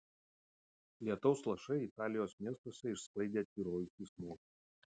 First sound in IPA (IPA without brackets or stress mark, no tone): lʲ